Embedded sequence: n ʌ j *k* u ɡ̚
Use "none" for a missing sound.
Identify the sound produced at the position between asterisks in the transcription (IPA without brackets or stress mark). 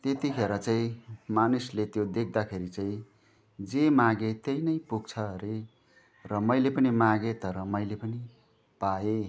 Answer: p